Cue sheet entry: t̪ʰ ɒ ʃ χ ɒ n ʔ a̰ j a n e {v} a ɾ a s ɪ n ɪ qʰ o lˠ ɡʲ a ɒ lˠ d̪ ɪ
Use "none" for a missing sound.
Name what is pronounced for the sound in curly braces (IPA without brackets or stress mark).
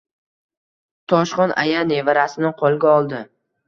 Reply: v